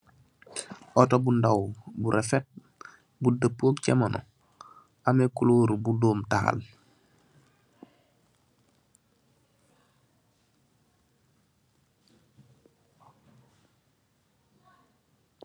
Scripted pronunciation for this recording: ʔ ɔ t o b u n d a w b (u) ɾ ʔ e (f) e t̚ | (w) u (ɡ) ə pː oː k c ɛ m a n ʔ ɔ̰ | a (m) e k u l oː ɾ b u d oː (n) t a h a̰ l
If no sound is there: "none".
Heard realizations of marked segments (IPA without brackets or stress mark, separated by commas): u, f, b, d, m, m